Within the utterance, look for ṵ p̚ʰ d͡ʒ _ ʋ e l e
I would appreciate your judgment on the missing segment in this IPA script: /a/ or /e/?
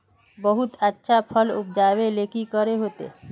a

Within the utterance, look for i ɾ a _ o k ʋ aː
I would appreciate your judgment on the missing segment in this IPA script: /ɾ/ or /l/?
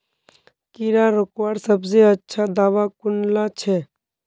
ɾ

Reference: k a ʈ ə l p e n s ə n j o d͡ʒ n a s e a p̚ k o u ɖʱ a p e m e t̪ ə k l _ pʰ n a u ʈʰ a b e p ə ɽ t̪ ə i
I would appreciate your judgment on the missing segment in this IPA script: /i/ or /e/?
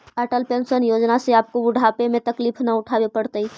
i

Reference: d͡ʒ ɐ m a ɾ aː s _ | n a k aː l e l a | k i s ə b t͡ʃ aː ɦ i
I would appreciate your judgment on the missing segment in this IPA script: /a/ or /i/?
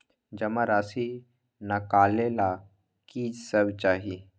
i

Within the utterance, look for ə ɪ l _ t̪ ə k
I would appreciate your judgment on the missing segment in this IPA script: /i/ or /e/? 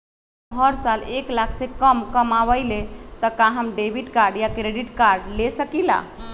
e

